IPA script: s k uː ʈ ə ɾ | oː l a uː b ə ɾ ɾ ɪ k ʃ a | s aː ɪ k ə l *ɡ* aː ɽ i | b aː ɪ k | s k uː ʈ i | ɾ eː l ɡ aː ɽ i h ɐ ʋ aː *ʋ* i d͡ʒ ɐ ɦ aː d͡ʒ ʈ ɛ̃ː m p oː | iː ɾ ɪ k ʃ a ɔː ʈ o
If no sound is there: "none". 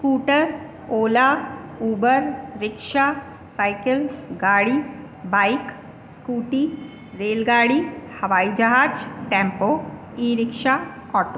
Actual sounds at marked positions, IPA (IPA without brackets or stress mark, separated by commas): ɡ, none